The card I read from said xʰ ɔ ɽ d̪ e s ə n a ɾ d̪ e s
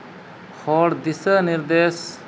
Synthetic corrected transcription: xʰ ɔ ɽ d̪ i s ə n i ɾ d̪ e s